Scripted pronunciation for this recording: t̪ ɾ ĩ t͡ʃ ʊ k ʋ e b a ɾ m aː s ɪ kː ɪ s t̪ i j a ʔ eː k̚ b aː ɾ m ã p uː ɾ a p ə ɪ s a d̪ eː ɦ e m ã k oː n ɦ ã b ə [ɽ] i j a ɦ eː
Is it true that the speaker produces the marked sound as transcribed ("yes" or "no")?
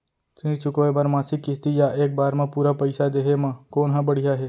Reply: yes